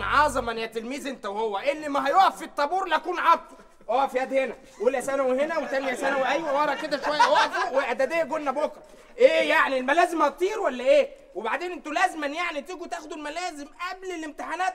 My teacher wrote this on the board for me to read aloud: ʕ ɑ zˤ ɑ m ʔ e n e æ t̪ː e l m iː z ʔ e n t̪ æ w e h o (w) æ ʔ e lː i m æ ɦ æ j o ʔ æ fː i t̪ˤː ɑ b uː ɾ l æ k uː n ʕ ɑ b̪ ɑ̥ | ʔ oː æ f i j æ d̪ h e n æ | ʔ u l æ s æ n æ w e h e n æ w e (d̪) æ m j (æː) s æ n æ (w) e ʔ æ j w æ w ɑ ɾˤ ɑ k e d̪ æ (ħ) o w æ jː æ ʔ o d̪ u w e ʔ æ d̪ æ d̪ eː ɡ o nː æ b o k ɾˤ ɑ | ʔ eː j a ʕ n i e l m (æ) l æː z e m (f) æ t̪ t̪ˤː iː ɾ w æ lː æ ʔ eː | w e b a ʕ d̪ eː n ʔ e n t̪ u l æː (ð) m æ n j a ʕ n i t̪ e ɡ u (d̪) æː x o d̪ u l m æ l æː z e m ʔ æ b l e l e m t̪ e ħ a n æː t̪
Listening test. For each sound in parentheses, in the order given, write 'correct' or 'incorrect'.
incorrect: wː, incorrect: t̪, incorrect: æ, correct, incorrect: ʃ, correct, incorrect: h, incorrect: z, incorrect: t̪

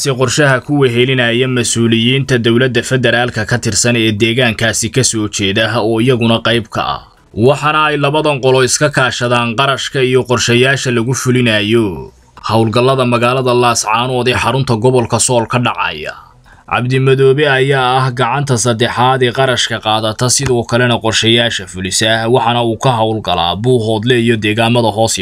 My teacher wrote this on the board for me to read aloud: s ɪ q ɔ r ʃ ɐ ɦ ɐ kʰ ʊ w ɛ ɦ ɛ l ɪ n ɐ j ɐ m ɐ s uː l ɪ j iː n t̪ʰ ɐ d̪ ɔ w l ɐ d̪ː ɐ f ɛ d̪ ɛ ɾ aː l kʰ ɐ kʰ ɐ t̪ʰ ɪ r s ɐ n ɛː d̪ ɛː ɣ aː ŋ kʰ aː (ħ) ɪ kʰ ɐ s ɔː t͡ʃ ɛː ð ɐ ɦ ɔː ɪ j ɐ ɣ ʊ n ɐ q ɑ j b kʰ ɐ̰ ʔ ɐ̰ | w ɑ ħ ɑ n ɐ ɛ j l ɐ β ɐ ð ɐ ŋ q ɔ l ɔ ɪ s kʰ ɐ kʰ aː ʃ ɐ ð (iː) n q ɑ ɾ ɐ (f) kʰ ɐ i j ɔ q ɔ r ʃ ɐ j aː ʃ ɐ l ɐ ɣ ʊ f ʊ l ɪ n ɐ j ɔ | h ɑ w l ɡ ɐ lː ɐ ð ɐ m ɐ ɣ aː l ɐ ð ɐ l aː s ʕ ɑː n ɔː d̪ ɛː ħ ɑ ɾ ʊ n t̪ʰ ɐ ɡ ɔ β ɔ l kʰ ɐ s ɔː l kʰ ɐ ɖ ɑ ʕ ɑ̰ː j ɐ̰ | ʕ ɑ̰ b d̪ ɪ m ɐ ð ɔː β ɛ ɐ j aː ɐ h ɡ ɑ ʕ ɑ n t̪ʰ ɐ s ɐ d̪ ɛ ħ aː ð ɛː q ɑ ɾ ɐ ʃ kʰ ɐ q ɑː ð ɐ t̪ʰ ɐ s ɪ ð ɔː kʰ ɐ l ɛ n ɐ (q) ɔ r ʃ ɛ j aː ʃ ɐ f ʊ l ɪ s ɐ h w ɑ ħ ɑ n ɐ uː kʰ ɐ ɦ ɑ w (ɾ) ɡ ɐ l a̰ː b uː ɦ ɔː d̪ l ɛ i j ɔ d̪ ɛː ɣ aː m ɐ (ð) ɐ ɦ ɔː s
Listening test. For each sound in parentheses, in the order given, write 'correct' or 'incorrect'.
incorrect: s, incorrect: aː, incorrect: ʃ, correct, incorrect: l, correct

